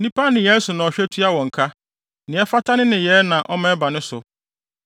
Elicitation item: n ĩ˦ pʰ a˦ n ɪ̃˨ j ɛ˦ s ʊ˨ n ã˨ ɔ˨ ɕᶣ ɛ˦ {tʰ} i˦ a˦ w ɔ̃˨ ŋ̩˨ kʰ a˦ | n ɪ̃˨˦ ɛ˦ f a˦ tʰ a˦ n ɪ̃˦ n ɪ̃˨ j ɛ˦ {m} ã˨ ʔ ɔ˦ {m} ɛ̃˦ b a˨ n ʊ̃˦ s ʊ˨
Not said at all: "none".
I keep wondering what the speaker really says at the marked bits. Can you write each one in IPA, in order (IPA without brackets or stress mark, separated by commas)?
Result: tʰ, n, m